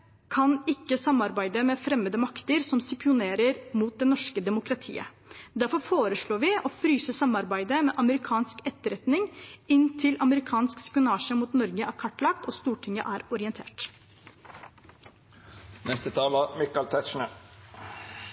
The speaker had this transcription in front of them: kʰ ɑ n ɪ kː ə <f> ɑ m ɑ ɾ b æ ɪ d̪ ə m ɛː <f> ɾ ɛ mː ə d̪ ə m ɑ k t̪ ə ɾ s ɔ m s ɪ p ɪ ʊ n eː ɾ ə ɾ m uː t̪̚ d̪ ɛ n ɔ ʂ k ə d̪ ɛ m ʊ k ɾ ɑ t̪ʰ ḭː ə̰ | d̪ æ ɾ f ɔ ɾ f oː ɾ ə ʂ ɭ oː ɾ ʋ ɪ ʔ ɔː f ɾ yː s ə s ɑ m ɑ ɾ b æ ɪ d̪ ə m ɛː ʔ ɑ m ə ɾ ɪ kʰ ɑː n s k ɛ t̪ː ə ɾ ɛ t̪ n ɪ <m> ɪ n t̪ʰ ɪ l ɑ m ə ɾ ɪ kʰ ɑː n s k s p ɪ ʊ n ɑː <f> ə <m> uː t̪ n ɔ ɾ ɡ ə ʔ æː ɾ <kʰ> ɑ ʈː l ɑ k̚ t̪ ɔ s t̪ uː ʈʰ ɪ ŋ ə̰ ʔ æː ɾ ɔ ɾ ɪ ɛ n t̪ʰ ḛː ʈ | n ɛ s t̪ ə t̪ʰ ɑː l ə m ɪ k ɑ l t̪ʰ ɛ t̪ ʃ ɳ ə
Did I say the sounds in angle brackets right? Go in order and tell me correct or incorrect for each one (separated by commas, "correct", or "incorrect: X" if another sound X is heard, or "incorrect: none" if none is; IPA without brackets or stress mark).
incorrect: s, correct, incorrect: ŋ, incorrect: ʂ, correct, correct